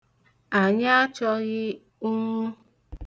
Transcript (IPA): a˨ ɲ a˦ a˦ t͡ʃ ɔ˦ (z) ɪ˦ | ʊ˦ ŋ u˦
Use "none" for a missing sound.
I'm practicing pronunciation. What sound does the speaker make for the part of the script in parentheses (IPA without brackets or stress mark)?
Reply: ɣ